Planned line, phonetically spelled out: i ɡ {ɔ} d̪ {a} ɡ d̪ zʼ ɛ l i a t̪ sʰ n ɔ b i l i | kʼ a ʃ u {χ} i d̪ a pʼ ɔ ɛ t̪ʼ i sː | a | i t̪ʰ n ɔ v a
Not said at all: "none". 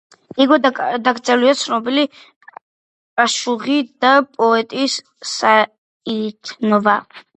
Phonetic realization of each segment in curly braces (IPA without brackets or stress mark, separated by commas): ɔ, a, ʁ